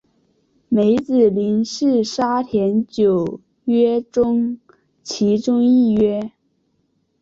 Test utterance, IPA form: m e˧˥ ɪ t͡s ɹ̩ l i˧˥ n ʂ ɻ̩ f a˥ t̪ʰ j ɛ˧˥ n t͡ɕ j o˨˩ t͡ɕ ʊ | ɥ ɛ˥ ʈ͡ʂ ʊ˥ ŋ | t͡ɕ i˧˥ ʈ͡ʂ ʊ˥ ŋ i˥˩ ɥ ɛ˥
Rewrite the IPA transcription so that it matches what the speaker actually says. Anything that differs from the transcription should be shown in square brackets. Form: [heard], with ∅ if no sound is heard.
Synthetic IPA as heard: m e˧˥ ɪ t͡s ɹ̩ l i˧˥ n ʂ ɻ̩ [ʂ] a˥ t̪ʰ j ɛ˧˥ n t͡ɕ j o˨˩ [∅] ʊ | ɥ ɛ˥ ʈ͡ʂ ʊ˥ ŋ | [t͡ɕʰ] i˧˥ ʈ͡ʂ ʊ˥ ŋ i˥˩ ɥ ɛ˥

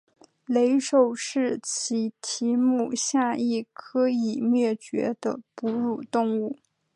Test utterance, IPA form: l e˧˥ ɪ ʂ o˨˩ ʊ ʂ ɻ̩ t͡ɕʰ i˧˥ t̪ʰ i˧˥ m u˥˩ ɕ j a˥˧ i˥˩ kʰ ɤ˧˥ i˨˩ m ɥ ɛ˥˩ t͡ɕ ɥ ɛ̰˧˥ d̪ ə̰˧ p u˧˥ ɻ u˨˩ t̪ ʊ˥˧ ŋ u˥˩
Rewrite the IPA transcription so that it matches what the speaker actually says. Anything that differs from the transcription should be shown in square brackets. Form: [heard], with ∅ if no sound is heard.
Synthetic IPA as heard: l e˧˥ ɪ ʂ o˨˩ ʊ ʂ ɻ̩ t͡ɕʰ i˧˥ t̪ʰ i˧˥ m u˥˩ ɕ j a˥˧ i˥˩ kʰ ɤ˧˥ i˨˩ m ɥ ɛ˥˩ t͡ɕ ɥ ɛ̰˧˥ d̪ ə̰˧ p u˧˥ ɻ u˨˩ t̪ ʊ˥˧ ŋ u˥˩

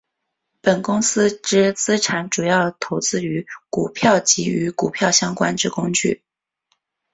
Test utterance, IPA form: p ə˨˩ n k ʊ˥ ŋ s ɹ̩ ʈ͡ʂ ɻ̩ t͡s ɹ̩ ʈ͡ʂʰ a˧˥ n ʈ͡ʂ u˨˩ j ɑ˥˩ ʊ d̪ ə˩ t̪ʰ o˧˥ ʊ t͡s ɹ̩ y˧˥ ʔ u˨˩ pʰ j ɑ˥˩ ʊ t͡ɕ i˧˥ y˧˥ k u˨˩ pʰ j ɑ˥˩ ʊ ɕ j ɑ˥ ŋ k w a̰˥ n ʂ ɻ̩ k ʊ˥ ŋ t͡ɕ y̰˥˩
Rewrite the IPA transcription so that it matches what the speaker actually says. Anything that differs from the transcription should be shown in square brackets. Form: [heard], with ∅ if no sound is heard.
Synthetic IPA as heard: p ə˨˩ n k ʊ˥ ŋ s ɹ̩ ʈ͡ʂ ɻ̩ t͡s ɹ̩ ʈ͡ʂʰ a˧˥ n ʈ͡ʂ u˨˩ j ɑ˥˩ ʊ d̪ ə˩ t̪ʰ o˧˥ ʊ t͡s ɹ̩ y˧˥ [k] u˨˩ pʰ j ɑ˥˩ ʊ t͡ɕ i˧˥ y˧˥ k u˨˩ pʰ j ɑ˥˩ ʊ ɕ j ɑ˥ ŋ k w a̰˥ n [ʈ͡ʂ] ɻ̩ k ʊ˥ ŋ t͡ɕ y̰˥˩

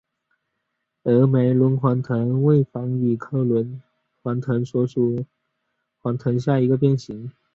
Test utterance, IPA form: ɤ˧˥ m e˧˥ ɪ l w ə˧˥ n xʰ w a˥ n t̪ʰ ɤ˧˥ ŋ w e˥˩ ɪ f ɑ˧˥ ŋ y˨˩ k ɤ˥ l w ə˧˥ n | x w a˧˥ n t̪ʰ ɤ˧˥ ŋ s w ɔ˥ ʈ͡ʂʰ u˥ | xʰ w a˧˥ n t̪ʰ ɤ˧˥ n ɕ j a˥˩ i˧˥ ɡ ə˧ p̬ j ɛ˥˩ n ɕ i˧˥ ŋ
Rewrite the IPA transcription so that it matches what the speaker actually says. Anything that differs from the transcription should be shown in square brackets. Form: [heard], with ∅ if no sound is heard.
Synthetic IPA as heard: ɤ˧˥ m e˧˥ ɪ l w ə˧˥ n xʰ w [a˧˥] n t̪ʰ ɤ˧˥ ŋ w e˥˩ ɪ f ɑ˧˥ ŋ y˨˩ [kʰ] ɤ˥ l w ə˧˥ n | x w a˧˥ n t̪ʰ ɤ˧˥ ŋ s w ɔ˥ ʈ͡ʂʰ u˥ | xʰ w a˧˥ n t̪ʰ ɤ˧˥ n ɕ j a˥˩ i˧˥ ɡ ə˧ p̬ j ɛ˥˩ n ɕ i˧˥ ŋ

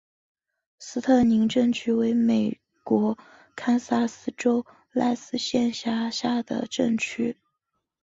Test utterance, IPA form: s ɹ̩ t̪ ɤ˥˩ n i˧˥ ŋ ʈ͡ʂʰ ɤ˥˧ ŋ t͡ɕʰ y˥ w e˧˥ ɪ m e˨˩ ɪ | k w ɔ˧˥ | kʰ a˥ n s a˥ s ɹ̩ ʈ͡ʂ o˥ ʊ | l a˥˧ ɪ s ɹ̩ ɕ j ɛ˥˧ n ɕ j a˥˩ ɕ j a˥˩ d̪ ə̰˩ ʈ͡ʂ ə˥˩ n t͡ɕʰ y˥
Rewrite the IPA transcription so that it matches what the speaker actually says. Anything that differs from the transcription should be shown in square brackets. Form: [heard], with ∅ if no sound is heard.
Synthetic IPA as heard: s ɹ̩ [t̪ʰ] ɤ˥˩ n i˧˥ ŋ [ʈ͡ʂ] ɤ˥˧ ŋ t͡ɕʰ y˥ w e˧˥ ɪ m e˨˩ ɪ | k w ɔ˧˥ | kʰ a˥ n s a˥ s ɹ̩ ʈ͡ʂ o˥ ʊ | l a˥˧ ɪ s ɹ̩ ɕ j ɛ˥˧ n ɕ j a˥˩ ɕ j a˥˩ d̪ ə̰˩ ʈ͡ʂ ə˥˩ [ŋ] t͡ɕʰ y˥

